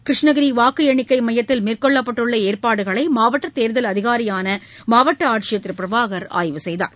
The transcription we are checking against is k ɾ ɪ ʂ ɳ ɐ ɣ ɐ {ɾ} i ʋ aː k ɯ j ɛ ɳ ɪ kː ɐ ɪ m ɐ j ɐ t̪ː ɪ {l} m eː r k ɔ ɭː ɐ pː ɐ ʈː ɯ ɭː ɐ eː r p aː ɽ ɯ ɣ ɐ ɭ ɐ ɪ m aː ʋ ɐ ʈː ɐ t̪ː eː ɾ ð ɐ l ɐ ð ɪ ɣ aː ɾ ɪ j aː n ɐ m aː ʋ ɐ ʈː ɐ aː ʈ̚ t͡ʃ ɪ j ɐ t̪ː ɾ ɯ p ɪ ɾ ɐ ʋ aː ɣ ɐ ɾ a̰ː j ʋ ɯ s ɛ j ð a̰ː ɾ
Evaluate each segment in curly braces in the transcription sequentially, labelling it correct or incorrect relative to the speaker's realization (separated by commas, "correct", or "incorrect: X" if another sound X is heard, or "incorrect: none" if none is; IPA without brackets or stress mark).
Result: correct, correct